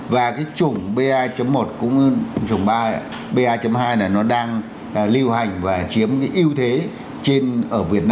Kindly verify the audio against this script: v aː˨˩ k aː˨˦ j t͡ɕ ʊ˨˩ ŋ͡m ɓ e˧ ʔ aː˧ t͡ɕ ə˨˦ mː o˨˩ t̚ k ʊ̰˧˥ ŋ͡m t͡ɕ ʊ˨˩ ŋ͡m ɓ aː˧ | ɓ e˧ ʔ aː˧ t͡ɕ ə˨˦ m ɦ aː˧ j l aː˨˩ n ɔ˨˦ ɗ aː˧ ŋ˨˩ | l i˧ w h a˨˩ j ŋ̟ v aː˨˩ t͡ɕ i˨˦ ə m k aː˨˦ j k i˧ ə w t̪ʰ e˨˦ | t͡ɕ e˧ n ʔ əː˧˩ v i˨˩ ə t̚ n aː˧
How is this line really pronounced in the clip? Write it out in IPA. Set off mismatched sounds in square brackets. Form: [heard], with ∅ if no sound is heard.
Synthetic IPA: v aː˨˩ k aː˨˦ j t͡ɕ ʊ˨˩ ŋ͡m ɓ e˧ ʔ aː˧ t͡ɕ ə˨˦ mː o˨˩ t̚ k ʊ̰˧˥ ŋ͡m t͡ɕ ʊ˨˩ ŋ͡m ɓ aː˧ | ɓ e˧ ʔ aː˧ t͡ɕ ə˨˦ m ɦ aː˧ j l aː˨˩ n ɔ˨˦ ɗ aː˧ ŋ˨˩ | l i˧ w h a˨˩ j ŋ̟ v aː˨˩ t͡ɕ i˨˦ ə m k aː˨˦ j [ʔ] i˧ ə w t̪ʰ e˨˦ | t͡ɕ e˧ n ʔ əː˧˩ v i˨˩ ə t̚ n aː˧